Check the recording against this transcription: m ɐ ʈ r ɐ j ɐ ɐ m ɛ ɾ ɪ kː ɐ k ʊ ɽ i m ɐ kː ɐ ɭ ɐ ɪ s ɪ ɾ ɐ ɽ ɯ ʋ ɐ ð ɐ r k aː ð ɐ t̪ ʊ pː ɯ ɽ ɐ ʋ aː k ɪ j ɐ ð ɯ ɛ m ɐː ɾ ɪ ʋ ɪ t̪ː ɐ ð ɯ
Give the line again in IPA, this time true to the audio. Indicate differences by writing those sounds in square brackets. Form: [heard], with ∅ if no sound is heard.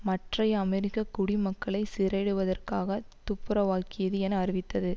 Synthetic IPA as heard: m ɐ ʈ r ɐ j ɐ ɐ m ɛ ɾ ɪ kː ɐ k ʊ ɽ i m ɐ kː ɐ ɭ ɐ ɪ s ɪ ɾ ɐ ɽ ɯ ʋ ɐ ð ɐ r k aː [ɣ] ɐ t̪ ʊ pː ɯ [ɾ] ɐ ʋ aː k ɪ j ɐ ð ɯ ɛ [n] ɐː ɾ ɪ ʋ ɪ t̪ː ɐ ð ɯ